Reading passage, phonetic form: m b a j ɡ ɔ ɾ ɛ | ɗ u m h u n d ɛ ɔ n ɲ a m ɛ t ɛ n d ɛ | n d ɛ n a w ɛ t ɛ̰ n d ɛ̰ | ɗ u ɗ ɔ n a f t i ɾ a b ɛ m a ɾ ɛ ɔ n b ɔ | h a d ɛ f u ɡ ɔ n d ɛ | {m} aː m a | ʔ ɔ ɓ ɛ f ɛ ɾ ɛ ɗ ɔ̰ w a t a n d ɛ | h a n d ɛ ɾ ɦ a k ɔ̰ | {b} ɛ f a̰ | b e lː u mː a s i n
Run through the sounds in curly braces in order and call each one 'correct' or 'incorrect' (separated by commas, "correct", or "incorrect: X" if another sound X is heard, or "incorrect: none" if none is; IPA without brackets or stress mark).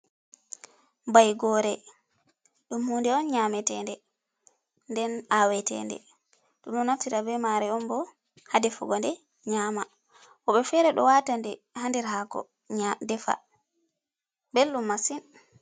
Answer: incorrect: ɲ, incorrect: d